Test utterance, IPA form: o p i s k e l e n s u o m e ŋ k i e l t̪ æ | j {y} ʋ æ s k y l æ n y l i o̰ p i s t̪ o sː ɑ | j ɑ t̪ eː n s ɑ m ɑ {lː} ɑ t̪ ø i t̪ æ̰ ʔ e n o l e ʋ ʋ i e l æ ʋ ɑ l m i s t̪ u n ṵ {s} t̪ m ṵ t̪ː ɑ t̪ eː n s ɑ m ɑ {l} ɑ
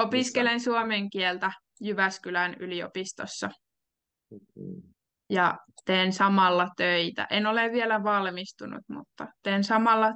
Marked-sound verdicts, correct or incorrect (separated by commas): correct, correct, incorrect, incorrect